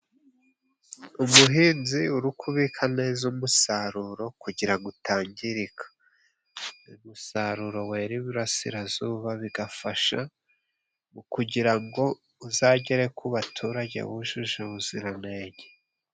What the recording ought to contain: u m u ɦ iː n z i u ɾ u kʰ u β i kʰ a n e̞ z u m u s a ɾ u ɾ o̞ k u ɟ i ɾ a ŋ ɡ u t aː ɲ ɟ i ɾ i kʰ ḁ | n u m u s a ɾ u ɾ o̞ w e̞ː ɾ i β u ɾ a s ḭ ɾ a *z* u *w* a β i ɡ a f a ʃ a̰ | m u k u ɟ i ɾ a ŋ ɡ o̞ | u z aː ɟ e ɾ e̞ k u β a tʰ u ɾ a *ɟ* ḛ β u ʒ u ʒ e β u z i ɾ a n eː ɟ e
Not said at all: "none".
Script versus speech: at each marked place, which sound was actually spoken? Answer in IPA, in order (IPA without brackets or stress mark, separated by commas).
z, β, ɟ